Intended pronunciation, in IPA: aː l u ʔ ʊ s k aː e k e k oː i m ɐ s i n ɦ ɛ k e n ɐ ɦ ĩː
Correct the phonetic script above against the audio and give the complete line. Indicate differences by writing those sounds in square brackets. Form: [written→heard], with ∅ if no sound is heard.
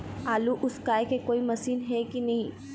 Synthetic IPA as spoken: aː l u ʔ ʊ s k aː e k e k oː i m ɐ s [i→iː] n ɦ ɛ k [e→i] n ɐ ɦ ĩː